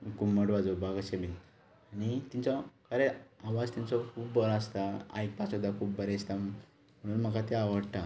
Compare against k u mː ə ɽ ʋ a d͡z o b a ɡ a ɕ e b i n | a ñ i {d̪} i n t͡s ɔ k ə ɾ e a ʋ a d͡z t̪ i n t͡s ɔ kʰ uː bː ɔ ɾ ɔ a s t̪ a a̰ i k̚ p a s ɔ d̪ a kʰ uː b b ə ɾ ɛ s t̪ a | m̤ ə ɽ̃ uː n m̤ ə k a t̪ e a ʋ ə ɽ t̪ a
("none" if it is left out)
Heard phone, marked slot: t̪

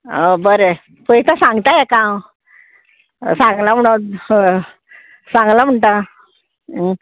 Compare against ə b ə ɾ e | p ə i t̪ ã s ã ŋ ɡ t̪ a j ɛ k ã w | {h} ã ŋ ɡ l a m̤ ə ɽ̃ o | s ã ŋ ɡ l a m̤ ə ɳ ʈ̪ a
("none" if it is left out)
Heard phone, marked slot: s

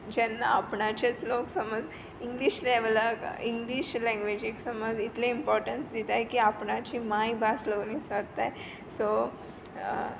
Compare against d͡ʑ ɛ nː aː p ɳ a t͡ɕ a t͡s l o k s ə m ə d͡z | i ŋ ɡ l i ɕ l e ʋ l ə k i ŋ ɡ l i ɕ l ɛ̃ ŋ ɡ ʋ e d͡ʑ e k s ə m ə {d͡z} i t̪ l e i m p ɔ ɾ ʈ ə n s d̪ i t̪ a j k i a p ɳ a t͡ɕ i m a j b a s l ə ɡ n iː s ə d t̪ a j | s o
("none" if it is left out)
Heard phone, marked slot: d͡z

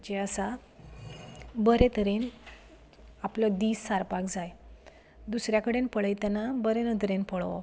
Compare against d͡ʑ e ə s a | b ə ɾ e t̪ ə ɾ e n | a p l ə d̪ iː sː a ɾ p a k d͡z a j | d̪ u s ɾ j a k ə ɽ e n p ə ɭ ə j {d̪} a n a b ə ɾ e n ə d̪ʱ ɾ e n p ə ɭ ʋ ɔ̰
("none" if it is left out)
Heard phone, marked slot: t̪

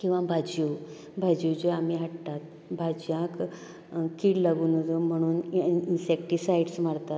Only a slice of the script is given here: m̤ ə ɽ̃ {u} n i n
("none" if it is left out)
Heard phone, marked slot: uː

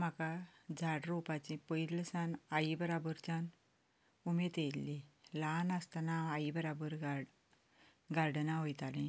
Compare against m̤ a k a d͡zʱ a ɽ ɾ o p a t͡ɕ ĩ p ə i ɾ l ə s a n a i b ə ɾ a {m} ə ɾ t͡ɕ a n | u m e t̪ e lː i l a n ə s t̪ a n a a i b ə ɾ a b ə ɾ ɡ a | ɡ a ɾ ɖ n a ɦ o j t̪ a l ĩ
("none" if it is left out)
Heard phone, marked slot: b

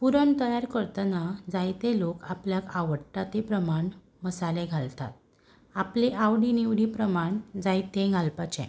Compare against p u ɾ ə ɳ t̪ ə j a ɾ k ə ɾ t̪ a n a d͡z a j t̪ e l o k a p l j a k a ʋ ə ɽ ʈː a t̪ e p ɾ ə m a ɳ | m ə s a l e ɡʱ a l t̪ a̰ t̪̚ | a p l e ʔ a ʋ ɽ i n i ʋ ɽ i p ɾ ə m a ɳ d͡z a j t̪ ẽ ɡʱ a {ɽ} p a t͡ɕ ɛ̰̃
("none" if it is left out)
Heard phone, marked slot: l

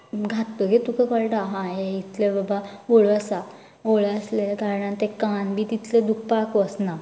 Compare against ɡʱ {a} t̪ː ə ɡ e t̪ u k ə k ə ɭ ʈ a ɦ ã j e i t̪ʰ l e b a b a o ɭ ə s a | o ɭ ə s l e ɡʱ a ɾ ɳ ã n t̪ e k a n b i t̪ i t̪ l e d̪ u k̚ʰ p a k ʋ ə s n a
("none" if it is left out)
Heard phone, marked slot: a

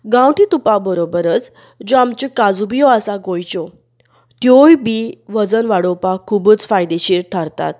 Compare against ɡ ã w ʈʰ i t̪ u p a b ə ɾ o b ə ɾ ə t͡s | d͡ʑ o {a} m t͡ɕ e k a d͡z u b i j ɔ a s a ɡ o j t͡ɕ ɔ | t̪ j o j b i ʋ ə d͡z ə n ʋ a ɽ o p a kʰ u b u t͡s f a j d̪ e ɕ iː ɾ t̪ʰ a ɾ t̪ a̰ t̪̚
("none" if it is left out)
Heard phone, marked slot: a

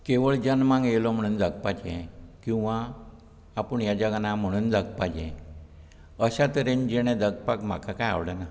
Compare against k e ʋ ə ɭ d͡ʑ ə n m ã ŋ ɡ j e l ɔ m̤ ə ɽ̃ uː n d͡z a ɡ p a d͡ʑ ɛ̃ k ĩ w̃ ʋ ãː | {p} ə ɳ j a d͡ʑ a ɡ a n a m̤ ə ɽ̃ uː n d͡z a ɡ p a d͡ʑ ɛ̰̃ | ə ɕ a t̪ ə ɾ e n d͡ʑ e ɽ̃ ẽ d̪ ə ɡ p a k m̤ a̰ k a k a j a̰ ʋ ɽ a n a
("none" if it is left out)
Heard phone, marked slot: p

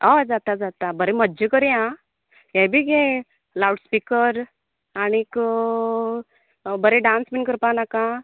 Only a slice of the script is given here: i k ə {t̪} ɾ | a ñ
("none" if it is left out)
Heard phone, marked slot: none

